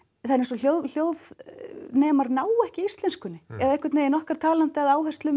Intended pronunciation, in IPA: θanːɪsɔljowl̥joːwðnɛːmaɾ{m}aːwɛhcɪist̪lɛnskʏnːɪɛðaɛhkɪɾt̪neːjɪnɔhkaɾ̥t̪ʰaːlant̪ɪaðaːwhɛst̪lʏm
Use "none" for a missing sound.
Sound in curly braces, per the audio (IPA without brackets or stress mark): n